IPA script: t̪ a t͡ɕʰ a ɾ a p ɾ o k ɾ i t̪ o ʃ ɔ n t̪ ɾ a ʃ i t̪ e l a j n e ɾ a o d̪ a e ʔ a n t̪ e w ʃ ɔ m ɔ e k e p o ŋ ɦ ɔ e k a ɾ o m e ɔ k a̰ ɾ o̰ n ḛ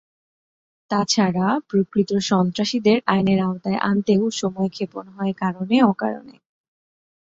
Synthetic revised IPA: t̪ a t͡ɕʰ a ɾ a p ɾ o k ɾ i t̪ o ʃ ɔ n t̪ ɾ a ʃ i d̪ e ɾ a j n e ɾ a o t̪ a e ʔ a n t̪ e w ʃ ɔ m ɔ e kʰ e p o n ɦ ɔ e k a ɾ o n e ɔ k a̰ ɾ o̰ n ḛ